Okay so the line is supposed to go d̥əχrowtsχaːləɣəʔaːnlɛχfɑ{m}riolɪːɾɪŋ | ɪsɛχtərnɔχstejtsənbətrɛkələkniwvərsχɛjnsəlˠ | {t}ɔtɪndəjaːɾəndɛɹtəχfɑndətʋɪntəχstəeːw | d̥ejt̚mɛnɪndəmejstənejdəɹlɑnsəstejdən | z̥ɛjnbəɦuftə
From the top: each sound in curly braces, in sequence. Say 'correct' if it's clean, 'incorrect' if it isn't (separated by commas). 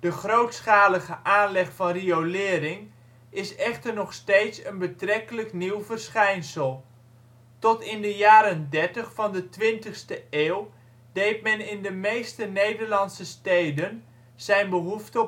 incorrect, correct